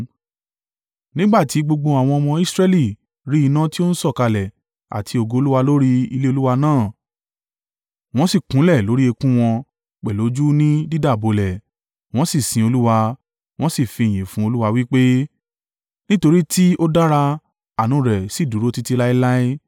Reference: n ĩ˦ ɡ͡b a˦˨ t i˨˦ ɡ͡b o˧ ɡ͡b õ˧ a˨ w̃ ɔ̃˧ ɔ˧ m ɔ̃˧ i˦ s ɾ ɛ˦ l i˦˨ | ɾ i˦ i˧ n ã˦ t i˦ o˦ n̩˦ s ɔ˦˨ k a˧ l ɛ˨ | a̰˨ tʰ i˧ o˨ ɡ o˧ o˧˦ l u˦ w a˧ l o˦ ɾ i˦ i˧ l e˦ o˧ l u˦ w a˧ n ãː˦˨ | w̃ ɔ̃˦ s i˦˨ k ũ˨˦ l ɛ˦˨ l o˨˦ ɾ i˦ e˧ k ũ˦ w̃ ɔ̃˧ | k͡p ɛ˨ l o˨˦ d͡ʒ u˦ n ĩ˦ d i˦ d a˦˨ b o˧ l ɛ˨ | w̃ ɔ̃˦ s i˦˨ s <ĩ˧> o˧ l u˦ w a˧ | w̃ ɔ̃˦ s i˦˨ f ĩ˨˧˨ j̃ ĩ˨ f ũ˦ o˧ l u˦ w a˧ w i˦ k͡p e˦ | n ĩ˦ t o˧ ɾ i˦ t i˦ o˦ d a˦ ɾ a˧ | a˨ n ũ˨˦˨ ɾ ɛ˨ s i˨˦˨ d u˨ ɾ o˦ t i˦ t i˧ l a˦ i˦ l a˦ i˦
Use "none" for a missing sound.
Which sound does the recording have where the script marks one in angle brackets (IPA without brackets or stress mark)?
ĩ˧